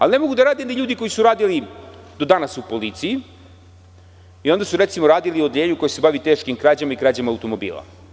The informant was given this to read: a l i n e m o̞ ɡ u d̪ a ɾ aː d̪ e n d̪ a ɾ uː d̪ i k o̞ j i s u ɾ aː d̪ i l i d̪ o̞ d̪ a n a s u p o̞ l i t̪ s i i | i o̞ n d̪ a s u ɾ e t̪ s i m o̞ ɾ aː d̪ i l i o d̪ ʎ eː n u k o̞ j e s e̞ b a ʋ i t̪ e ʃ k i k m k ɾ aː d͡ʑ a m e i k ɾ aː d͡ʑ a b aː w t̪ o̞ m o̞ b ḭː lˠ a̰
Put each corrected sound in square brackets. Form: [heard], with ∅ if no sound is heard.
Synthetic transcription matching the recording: a l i n e m o̞ ɡ u d̪ a ɾ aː d̪ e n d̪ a [ʎ] uː d̪ i k o̞ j i s u ɾ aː d̪ i l i d̪ o̞ d̪ a n a s u p o̞ l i t̪ s i i | i o̞ n d̪ a s u ɾ e t̪ s i m o̞ ɾ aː d̪ i l i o d̪ ʎ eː [ɲ] u k o̞ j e s e̞ b a ʋ i t̪ e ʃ k i [∅] m k ɾ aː d͡ʑ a m [a] i k ɾ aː d͡ʑ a [m] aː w t̪ o̞ m o̞ b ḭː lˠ a̰